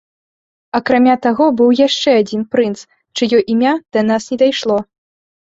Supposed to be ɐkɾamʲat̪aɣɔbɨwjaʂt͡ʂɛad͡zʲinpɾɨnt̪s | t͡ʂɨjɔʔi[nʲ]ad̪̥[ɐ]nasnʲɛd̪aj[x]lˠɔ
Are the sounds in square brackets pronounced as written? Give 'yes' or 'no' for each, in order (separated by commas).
no, yes, no